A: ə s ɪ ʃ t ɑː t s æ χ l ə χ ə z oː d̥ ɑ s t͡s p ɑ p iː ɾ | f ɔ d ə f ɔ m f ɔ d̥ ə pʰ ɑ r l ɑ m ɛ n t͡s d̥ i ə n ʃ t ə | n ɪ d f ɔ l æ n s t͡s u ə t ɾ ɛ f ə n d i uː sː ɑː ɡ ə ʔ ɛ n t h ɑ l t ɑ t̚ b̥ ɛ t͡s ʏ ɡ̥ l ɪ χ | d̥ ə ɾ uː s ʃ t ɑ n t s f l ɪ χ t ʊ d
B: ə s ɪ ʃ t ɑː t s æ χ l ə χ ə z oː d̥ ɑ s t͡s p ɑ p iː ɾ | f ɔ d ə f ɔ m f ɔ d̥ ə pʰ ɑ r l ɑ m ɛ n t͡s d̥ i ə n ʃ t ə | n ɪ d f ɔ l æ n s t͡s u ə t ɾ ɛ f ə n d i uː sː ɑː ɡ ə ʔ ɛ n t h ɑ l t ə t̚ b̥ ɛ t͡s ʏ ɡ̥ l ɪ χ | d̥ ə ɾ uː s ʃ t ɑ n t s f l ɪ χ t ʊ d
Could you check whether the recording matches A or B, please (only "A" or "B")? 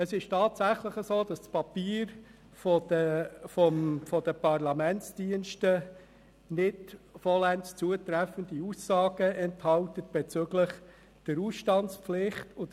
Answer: B